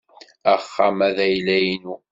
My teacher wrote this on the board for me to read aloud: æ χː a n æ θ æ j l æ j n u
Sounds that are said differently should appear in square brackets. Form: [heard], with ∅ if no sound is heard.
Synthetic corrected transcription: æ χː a [m] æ [ð] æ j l æ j n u

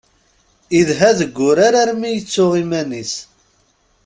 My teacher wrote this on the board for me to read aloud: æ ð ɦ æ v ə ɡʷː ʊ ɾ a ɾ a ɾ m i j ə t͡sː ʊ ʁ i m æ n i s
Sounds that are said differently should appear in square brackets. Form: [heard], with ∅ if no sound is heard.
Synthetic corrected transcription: [i] ð ɦ æ [ð] ə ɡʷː ʊ ɾ a ɾ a ɾ m i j ə t͡sː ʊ ʁ i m æ n i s

